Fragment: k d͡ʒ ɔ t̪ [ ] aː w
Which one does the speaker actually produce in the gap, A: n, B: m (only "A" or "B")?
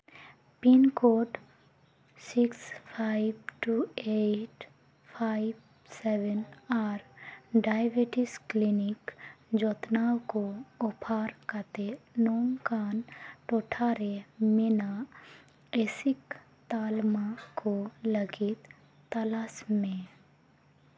A